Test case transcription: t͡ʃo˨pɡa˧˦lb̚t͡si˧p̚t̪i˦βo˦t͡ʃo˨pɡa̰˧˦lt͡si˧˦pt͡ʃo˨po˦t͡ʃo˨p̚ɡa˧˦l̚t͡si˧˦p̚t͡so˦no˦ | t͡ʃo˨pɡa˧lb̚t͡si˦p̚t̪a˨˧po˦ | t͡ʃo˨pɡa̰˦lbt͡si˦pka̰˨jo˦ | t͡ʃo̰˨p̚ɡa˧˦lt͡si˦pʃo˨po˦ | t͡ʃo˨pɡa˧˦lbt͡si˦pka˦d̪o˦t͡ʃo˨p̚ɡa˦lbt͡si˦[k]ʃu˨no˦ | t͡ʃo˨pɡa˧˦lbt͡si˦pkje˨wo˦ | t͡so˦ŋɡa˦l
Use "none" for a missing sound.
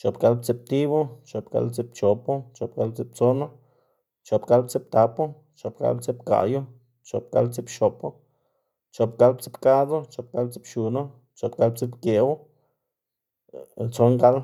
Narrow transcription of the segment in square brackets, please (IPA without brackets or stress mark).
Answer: p